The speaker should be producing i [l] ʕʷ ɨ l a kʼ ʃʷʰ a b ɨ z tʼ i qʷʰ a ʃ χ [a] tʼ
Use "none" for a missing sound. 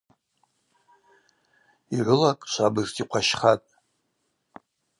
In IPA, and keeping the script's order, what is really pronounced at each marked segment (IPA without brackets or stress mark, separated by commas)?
none, a